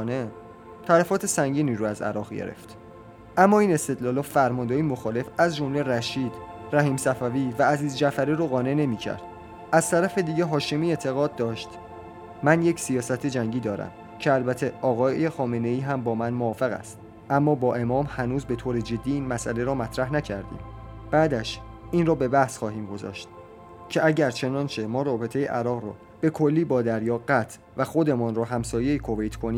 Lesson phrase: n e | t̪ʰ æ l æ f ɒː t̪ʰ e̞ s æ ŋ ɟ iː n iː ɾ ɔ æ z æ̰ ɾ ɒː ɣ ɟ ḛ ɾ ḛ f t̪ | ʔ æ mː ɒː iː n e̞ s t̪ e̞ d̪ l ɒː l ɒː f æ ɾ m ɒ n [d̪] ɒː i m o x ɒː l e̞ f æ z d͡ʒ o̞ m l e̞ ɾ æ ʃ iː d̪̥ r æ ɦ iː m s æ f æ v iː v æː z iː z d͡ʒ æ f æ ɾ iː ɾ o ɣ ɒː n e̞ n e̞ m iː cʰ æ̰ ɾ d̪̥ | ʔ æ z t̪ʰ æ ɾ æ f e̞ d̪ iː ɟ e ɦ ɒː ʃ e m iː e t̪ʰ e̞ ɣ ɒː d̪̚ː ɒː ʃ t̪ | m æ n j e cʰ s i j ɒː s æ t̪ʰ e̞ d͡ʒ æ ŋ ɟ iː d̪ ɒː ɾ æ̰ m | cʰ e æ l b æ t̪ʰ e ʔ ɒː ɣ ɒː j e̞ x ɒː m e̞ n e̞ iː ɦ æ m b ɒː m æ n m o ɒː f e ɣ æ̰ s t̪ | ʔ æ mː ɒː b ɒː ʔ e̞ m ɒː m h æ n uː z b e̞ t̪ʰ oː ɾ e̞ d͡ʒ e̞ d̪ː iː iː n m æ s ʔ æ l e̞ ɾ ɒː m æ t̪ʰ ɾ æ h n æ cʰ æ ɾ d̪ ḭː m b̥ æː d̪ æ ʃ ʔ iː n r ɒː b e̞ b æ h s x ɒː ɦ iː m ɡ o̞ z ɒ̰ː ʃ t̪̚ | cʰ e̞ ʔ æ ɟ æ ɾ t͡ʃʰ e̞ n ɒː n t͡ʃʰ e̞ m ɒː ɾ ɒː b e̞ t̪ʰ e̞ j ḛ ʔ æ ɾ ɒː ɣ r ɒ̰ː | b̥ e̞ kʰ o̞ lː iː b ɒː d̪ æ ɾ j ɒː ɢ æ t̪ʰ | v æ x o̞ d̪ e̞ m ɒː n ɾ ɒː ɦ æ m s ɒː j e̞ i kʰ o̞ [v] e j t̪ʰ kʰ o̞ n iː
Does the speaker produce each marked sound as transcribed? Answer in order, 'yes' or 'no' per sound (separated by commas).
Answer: yes, yes